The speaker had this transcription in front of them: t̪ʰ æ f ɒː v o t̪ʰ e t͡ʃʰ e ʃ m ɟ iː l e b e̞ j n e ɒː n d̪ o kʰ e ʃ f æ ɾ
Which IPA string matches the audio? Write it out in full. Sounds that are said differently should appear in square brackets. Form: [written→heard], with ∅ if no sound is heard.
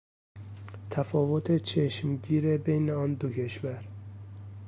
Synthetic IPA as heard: t̪ʰ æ f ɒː v o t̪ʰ e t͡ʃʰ e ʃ m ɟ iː [l→ɾ] e b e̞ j n e ɒː n d̪ o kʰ e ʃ [f→v] æ ɾ